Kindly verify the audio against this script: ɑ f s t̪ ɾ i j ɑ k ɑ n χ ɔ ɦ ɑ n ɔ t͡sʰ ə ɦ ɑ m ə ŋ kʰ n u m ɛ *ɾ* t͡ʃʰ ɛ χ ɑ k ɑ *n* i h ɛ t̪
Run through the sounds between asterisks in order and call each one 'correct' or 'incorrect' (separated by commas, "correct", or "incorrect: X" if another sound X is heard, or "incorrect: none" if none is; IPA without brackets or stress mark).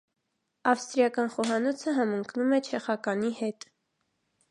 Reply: incorrect: none, correct